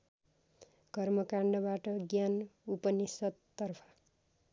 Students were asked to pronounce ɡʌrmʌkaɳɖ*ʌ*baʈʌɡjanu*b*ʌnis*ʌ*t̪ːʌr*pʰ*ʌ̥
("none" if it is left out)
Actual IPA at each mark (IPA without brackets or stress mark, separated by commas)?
ʌ, p, ʌ, pʰ